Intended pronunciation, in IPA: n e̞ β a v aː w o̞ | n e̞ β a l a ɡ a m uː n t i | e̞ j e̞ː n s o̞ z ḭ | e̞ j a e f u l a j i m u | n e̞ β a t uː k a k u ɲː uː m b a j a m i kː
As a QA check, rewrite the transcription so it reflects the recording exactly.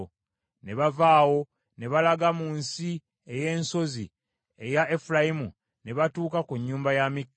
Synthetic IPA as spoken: n e̞ β a v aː w o̞ | n e̞ β a l a ɡ a m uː n s i | e̞ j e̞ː n s o̞ z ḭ | e̞ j a e f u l a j i m u | n e̞ β a t uː k a k u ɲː uː m b a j a m i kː